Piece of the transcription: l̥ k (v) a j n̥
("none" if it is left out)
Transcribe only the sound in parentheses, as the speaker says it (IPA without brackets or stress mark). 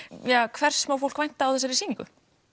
v